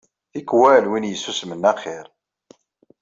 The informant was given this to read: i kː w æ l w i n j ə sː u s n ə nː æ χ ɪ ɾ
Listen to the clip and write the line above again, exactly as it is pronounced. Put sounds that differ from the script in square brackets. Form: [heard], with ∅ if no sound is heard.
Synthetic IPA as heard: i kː w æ l w i n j ə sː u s [m] ə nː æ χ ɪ ɾ